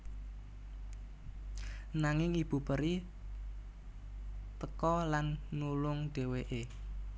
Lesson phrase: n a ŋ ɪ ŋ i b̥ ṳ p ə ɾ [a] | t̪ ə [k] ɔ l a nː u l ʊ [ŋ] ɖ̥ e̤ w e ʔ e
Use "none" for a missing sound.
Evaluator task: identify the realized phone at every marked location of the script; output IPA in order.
i, k, ŋ

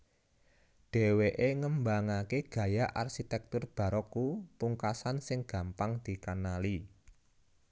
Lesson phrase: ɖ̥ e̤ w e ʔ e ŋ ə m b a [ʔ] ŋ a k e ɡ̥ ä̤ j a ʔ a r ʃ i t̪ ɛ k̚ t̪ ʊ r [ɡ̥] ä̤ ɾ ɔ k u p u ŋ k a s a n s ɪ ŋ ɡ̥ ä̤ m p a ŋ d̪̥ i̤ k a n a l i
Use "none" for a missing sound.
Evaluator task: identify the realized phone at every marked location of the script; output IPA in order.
none, b̥

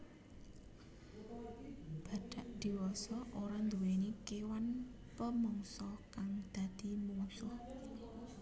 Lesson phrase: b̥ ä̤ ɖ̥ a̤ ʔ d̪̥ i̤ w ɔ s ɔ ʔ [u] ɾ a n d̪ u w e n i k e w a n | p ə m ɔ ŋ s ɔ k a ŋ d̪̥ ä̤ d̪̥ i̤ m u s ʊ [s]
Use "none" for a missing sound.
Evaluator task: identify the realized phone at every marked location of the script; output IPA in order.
o, h

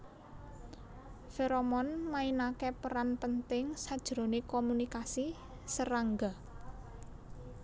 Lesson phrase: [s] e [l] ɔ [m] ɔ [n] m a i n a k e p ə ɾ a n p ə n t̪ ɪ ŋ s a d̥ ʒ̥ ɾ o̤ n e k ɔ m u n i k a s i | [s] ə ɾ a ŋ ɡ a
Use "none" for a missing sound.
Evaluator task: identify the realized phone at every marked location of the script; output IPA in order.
f, ɾ, m, n, s

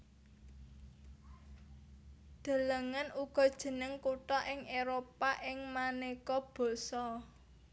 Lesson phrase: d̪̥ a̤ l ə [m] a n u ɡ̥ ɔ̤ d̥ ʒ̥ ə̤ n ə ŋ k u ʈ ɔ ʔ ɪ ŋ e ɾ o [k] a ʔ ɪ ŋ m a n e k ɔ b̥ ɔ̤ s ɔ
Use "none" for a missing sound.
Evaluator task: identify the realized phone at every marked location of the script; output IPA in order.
ŋ, p

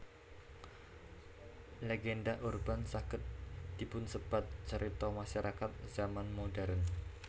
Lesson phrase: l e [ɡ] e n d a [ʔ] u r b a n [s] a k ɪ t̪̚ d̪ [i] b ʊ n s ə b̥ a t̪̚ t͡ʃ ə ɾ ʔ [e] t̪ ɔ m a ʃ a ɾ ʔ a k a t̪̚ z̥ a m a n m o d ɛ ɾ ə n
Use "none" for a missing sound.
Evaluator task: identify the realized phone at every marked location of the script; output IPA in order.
ɡ, ʔ, s, i, i

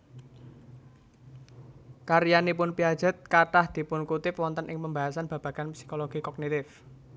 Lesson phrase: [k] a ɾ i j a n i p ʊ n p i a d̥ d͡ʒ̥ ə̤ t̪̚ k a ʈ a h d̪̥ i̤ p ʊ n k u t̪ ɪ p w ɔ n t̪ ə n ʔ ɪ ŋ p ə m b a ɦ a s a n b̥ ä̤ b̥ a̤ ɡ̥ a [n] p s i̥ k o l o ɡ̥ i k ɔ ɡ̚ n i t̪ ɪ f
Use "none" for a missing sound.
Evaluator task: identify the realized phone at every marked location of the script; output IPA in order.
k, n

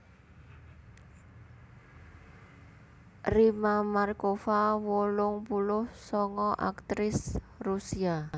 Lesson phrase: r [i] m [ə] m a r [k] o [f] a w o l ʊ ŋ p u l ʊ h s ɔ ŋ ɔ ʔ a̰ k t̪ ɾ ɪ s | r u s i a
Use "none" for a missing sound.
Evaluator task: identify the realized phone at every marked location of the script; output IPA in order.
i, a, k, f

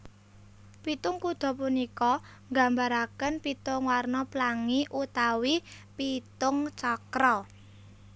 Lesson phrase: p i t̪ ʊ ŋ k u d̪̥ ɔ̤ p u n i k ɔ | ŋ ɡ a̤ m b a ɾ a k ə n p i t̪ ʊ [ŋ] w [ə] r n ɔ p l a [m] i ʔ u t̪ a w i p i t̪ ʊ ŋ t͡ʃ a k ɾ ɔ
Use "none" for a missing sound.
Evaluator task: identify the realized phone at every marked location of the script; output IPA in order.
ŋ, a, ŋ

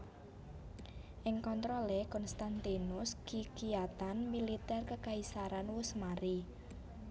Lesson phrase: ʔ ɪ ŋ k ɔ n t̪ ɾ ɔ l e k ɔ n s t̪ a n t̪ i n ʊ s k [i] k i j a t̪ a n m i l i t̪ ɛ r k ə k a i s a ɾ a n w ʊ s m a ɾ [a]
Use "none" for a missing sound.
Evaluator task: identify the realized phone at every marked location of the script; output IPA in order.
i, i

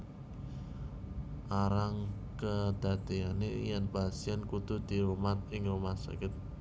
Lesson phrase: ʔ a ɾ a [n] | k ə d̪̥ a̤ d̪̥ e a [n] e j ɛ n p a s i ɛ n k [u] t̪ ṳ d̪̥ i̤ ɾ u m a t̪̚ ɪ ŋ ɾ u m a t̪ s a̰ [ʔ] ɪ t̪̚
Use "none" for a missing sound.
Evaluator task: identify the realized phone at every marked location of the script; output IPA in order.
ŋ, n, u, k

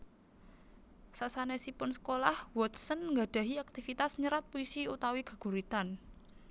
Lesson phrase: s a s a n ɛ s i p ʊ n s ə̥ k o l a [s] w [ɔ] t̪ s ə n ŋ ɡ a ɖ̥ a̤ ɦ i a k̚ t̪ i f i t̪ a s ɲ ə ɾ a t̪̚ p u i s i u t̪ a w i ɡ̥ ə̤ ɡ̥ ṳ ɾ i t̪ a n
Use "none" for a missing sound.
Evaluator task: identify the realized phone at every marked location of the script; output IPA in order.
h, ɔ

